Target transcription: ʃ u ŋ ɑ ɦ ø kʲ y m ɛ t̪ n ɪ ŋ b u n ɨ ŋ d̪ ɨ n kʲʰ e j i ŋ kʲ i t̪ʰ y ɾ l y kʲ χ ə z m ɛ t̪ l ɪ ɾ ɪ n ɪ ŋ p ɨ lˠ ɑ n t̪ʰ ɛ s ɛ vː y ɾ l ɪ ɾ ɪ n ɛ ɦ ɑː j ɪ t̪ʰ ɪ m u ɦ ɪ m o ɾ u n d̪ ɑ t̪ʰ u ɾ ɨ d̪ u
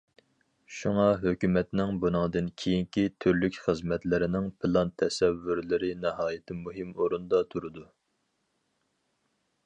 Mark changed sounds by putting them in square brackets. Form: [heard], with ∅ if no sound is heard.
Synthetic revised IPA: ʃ u ŋ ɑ ɦ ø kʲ y m ɛ t̪ n ɪ ŋ b u n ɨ ŋ d̪ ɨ n kʲʰ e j i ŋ kʲ i t̪ʰ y ɾ l y kʲ χ ə z m ɛ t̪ l ɪ ɾ ɪ n ɪ ŋ p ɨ lˠ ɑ n t̪ʰ ɛ s ɛ vː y ɾ l ɪ ɾ ɪ n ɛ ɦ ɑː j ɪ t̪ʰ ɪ m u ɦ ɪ m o ɾ u n d̪ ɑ t̪ʰ u ɾ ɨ d̪ u